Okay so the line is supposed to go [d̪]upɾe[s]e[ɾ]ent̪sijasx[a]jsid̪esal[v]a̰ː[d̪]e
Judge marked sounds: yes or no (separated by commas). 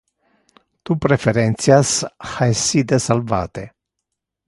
no, no, yes, yes, yes, no